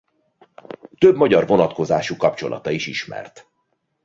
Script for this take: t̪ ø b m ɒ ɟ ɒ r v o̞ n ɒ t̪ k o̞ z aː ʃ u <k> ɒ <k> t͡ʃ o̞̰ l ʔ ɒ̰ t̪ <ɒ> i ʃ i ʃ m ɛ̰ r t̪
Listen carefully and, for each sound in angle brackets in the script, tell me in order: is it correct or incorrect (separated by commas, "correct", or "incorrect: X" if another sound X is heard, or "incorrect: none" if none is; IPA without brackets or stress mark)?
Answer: correct, incorrect: p, correct